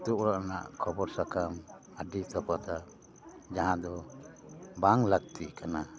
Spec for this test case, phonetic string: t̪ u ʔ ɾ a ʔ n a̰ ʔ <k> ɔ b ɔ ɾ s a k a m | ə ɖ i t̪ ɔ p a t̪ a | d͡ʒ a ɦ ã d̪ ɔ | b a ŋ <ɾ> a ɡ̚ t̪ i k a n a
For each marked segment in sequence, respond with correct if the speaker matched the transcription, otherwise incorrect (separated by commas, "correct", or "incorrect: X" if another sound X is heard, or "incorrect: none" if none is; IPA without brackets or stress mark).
incorrect: kʰ, incorrect: l